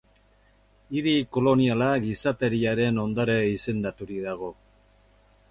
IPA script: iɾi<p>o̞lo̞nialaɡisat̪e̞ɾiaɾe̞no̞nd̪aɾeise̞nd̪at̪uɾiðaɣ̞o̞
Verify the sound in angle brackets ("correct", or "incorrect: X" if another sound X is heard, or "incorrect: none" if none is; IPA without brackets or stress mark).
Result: incorrect: k